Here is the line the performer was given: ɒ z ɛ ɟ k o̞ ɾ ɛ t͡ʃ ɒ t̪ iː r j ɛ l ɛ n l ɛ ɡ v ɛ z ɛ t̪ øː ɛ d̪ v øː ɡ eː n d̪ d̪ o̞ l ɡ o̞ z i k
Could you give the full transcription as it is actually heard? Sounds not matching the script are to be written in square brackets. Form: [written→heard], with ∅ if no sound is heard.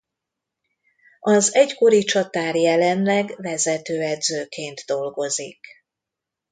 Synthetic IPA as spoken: ɒ z ɛ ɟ k o̞ ɾ [ɛ→i] t͡ʃ ɒ t̪ [iː→aː] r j ɛ l ɛ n l ɛ ɡ v ɛ z ɛ t̪ øː ɛ d̪ [v→z] øː [ɡ→k] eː n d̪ d̪ o̞ l ɡ o̞ z i k